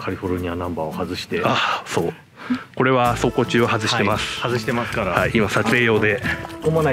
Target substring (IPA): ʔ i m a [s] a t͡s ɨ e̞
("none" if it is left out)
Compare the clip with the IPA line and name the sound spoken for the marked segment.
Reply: s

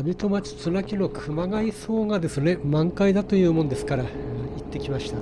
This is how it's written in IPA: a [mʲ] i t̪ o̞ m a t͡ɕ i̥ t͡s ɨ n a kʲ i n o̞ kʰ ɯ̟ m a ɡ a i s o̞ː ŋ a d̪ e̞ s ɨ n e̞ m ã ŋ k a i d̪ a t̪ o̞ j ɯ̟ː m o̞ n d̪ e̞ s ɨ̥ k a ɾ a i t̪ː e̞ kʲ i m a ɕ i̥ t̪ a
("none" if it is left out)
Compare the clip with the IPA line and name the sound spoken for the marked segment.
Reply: bʲ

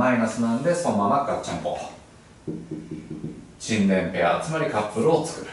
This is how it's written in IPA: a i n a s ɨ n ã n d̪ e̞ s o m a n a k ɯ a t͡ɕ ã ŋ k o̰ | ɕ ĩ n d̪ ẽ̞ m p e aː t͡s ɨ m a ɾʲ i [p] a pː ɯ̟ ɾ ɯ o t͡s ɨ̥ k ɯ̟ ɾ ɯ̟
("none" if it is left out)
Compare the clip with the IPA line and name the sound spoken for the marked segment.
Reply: k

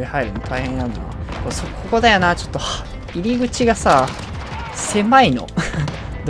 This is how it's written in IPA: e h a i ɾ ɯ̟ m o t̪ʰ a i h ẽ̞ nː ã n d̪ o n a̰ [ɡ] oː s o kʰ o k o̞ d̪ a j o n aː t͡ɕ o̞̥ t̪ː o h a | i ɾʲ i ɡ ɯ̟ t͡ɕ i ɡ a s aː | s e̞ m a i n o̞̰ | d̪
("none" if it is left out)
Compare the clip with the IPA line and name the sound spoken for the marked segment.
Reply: k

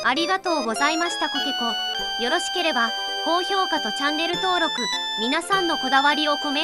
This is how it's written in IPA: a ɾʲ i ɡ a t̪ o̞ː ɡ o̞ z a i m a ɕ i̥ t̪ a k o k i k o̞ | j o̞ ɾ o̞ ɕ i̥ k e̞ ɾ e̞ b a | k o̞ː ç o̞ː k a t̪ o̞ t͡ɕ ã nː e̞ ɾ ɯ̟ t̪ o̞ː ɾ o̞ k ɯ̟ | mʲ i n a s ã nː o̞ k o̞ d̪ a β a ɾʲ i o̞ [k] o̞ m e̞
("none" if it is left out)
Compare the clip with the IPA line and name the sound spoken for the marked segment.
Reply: k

